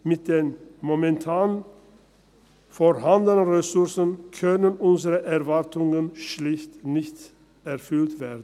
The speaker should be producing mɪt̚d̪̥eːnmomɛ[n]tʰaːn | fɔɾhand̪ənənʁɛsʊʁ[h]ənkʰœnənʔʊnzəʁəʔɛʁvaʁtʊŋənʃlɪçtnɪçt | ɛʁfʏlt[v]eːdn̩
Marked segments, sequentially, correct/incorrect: correct, incorrect: s, correct

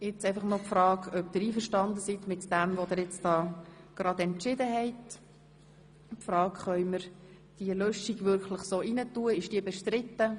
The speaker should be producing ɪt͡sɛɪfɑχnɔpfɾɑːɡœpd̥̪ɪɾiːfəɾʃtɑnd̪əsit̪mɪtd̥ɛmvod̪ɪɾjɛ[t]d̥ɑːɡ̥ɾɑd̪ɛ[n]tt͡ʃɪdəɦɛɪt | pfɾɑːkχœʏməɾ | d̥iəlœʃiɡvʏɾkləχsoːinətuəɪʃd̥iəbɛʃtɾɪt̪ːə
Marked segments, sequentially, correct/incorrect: incorrect: t͡s, correct

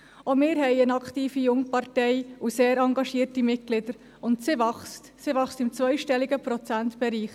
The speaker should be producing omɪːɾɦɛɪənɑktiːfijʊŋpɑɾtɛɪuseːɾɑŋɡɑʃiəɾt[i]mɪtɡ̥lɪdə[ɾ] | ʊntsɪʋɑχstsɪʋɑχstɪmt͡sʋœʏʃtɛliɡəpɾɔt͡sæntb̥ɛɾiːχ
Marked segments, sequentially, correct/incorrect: correct, correct

